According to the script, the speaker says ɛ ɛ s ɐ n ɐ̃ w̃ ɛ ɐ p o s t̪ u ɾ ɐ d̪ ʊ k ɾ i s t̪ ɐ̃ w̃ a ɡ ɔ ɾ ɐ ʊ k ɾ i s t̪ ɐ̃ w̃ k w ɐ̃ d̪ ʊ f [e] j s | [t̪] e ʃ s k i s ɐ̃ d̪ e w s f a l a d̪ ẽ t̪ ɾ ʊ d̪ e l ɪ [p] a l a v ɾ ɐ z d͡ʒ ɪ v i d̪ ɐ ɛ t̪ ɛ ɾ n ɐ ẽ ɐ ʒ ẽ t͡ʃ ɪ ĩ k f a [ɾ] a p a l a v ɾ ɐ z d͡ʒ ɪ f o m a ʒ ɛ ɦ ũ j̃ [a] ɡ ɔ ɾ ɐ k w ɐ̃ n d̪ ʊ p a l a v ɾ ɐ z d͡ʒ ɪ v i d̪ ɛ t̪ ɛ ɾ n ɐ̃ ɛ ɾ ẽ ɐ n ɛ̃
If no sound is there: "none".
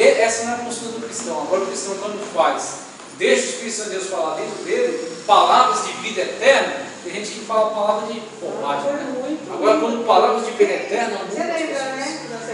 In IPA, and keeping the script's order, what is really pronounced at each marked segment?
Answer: a, d̪, p, l, a

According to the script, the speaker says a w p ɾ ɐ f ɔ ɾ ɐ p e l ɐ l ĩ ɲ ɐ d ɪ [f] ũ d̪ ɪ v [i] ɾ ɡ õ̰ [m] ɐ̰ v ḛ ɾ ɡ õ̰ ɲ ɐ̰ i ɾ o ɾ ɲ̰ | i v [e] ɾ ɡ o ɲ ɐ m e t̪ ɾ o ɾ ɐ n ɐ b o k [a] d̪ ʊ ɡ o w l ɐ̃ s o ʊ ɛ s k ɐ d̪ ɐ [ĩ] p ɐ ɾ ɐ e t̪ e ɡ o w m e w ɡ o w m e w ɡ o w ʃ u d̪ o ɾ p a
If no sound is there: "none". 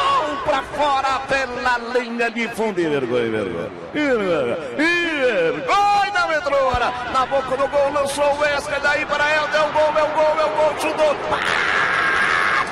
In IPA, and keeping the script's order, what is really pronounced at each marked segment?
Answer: f, e, ɲ, e, ɐ, i

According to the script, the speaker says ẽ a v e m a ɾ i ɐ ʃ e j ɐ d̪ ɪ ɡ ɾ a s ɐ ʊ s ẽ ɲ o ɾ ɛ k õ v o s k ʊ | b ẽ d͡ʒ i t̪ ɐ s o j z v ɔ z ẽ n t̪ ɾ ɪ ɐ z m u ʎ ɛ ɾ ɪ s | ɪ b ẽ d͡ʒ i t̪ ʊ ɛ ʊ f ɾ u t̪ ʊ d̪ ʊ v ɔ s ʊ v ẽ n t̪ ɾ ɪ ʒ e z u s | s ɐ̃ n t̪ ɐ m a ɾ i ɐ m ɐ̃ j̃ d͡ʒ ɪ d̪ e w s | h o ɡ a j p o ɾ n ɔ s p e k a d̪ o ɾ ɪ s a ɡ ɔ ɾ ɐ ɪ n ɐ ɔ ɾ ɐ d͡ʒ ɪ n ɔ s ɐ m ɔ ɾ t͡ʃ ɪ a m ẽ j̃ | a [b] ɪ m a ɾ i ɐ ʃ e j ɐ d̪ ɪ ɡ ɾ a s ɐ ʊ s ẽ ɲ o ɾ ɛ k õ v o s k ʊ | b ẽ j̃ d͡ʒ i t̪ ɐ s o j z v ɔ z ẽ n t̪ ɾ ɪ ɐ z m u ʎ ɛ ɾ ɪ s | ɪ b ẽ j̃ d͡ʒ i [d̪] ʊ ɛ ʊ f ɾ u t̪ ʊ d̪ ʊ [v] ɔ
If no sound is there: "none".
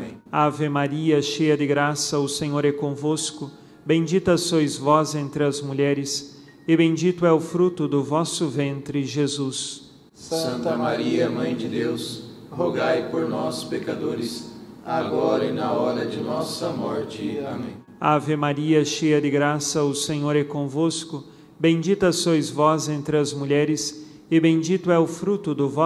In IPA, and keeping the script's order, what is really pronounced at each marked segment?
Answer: v, t̪, v

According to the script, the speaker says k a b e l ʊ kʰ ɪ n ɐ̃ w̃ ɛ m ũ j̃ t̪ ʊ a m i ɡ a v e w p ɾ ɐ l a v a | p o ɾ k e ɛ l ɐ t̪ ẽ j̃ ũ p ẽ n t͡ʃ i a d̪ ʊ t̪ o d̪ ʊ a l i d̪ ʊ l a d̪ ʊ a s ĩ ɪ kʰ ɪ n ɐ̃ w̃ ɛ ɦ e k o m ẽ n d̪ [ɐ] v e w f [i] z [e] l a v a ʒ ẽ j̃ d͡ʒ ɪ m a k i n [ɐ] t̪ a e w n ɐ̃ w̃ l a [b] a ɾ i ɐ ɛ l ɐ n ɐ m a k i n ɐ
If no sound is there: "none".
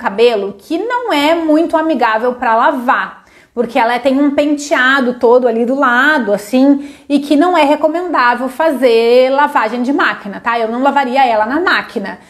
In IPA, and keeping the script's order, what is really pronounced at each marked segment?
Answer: a, a, e, ɐ, v

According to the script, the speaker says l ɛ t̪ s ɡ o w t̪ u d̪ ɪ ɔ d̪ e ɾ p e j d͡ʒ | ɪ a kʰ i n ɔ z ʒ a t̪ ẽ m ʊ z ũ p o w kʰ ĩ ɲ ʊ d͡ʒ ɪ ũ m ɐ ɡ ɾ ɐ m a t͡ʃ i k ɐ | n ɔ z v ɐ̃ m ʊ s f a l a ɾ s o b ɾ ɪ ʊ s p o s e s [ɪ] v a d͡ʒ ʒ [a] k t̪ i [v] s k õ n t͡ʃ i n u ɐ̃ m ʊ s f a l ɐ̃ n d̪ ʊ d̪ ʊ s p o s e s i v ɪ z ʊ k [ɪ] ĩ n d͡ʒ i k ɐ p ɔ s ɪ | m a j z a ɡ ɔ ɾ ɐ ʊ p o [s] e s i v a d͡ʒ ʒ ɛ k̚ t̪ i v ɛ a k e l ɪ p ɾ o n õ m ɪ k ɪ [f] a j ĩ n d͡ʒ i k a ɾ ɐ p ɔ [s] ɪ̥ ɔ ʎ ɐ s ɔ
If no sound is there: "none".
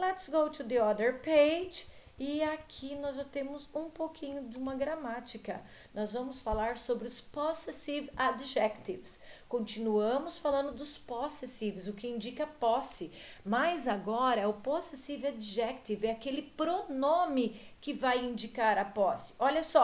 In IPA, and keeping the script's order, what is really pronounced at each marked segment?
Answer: i, ɛ, v, ɪ, s, v, s

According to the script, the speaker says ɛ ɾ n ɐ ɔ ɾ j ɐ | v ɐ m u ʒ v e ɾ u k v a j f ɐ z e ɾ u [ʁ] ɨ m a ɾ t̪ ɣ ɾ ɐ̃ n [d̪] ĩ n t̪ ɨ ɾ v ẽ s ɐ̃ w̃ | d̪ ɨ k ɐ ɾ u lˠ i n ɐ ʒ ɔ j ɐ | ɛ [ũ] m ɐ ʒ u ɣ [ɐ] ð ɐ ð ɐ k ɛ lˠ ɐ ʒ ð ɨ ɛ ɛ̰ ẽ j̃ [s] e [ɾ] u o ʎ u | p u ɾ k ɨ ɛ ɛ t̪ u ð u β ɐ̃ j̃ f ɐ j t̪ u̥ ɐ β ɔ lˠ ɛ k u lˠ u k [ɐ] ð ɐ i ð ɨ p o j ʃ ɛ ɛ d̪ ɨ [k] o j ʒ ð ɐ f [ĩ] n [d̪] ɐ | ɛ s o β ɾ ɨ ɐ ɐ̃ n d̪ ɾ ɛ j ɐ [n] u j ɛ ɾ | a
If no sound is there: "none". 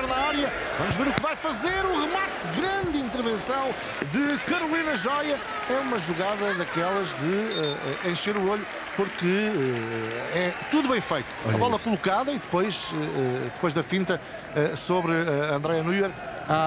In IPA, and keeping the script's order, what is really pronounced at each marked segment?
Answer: ʁ, d̪, u, a, ʃ, ɾ, a, p, ĩ, t̪, n

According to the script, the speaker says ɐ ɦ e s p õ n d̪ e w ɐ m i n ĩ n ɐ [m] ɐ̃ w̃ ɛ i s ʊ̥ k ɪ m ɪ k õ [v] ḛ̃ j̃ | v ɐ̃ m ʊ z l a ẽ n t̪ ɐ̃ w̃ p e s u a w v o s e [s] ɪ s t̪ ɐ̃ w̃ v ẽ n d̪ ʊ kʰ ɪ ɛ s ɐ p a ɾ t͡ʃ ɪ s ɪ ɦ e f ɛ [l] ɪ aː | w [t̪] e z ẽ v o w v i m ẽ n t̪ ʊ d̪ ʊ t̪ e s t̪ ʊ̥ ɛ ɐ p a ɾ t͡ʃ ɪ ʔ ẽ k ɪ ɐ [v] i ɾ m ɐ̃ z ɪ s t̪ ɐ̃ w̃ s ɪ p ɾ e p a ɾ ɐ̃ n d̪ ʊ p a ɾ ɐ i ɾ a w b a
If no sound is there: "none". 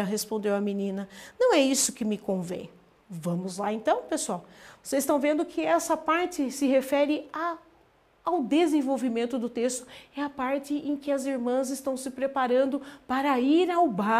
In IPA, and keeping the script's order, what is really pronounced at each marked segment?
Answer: n, v, z, ɾ, d̪, z

